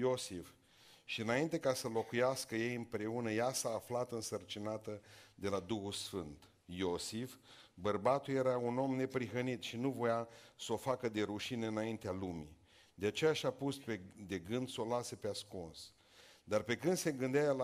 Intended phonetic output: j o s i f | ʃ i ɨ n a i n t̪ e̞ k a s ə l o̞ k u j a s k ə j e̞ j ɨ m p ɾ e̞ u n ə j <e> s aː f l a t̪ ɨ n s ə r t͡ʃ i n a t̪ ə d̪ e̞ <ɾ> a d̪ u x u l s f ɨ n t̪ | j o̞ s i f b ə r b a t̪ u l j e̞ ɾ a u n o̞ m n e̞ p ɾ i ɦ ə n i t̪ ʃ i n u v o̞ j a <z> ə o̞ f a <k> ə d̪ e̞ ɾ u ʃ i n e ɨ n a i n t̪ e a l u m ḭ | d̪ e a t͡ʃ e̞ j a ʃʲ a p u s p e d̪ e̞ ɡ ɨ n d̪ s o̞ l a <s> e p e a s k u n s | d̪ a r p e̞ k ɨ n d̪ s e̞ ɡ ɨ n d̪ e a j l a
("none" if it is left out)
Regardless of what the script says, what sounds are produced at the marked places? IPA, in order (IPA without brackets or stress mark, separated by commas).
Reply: a, l, s, k, s